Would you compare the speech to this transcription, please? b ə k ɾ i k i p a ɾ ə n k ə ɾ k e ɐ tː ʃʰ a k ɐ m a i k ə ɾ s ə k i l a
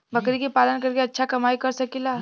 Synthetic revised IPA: b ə k ɾ i k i p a l ə n k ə ɾ k e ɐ tː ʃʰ a k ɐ m a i k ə ɾ s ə k i l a